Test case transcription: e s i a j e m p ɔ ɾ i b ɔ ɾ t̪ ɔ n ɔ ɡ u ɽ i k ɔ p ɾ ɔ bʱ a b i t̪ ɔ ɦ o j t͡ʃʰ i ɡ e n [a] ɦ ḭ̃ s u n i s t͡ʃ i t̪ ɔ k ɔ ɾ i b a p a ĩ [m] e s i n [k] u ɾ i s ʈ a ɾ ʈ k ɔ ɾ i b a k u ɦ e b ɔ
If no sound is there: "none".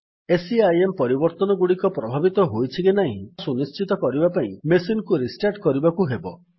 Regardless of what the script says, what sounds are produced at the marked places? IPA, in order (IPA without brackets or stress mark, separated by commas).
a, m, k